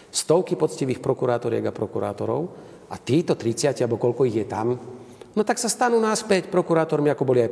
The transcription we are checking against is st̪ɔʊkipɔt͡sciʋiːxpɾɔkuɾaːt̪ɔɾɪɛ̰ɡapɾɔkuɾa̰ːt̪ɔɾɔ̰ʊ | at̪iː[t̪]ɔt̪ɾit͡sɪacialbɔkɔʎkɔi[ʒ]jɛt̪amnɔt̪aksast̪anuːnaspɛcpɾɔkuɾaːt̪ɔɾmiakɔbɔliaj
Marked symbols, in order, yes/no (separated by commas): yes, no